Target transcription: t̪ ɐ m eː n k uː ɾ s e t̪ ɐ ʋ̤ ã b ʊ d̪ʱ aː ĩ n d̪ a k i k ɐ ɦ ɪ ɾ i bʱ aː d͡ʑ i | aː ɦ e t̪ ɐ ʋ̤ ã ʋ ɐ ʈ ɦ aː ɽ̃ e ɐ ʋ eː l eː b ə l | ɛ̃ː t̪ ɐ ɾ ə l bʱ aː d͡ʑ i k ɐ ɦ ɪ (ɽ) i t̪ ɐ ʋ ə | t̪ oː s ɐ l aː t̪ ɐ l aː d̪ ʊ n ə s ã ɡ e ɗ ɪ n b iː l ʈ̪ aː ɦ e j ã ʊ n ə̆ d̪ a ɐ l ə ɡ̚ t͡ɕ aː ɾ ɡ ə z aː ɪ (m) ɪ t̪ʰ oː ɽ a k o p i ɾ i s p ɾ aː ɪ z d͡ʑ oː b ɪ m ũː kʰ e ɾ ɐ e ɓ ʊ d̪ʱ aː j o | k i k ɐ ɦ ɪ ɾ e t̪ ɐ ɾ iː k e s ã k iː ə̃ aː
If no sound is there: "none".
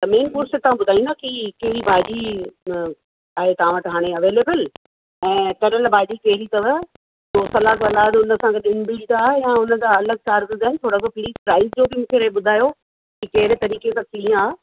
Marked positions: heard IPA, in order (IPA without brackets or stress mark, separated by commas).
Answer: ɾ, n